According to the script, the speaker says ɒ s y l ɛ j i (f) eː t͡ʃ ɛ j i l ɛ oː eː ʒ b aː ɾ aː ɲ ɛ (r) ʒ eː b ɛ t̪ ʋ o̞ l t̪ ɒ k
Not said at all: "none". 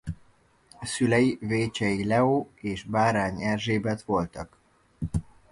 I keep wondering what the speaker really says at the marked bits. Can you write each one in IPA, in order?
v, r

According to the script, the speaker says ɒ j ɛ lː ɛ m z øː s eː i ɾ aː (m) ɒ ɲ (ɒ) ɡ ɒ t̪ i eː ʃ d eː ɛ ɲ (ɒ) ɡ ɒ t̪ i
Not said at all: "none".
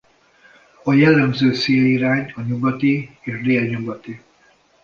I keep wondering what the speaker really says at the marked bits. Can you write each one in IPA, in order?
ɲ, u, u

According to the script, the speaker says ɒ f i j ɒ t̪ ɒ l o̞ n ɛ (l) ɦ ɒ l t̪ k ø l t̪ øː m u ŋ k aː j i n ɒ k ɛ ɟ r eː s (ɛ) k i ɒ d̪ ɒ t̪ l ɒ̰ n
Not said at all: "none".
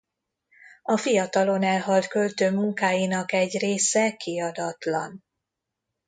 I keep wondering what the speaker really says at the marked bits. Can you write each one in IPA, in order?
l, ɛ

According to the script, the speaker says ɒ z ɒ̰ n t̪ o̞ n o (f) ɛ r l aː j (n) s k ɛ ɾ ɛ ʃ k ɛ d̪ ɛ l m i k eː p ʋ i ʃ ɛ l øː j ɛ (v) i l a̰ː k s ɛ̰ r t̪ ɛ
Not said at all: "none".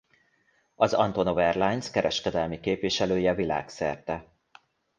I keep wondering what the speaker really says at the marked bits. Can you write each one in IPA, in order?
v, n, v

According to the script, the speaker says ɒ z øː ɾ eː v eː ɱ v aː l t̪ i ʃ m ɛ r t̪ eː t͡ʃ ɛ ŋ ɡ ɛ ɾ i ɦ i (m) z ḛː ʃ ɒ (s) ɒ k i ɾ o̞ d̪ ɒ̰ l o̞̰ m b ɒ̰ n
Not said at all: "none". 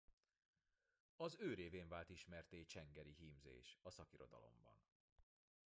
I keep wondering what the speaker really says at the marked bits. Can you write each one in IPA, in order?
m, s

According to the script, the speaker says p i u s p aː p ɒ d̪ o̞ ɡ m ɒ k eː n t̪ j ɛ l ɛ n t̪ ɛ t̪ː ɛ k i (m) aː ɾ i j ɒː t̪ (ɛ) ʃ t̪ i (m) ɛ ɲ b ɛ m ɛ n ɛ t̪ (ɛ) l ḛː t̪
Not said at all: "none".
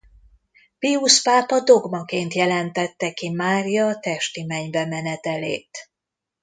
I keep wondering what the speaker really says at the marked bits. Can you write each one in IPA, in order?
m, ɛ, m, ɛ

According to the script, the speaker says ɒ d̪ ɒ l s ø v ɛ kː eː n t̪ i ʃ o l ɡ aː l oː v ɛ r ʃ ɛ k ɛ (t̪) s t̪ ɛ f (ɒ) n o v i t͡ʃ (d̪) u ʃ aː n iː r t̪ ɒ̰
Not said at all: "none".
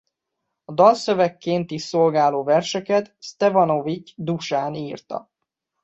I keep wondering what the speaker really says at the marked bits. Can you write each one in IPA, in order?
t̪, ɒ, d̪

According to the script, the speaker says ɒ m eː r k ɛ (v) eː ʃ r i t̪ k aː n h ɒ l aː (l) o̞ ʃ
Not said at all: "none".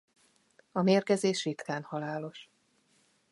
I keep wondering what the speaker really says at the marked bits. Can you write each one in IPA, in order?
z, l

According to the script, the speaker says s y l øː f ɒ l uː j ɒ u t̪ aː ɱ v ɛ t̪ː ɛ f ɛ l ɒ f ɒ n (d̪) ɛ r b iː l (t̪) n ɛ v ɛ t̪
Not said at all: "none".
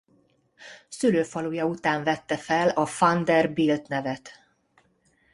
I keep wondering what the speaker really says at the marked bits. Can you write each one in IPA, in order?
d̪, t̪

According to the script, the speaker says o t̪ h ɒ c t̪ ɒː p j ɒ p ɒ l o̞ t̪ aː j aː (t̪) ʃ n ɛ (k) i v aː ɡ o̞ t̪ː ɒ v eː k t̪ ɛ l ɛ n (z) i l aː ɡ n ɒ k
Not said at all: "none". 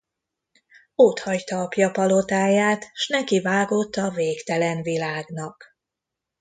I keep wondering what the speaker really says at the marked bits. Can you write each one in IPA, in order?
t̪, k, v

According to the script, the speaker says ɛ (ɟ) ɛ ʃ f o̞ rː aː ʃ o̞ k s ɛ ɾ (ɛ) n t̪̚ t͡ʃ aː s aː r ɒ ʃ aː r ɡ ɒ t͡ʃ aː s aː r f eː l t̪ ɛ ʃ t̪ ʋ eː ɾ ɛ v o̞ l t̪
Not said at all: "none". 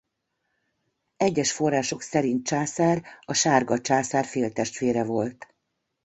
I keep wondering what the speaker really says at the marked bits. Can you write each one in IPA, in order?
ɟː, i

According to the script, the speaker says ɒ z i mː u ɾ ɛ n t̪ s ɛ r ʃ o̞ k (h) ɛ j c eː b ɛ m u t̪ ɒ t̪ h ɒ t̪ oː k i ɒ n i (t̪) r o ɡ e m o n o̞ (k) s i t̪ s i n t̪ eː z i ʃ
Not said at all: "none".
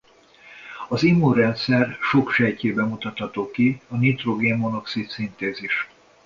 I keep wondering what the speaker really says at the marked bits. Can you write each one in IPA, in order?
ʃ, t̪, k

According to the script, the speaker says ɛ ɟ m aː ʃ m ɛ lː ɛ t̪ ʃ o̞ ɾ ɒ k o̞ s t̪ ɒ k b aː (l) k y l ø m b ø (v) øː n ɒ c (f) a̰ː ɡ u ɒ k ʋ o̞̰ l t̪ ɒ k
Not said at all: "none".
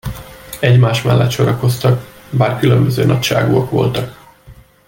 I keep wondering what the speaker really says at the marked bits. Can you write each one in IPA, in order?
r, z, ʃ

